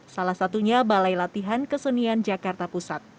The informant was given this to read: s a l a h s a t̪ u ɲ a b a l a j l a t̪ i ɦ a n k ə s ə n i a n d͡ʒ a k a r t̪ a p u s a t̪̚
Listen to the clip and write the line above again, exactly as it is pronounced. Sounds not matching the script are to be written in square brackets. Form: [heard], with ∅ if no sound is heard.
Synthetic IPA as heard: s a l a h s a t̪ u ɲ a b a l a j l a t̪ i ɦ a n k ə s ə n i a n d͡ʒ a k a r t̪ a p u s a t̪̚